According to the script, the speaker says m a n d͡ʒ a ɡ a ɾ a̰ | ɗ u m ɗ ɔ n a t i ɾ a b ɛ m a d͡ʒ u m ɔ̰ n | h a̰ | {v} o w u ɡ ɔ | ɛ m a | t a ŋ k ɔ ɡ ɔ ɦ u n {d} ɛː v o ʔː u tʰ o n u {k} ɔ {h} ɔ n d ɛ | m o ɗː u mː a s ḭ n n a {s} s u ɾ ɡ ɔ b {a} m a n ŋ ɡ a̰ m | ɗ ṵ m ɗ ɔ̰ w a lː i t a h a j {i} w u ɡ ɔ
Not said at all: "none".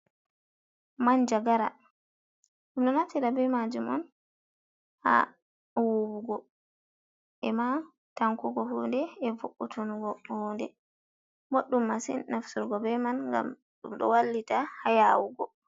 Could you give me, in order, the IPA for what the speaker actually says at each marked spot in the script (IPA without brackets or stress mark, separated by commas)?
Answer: w, d, ɡ, h, f, ɛ, a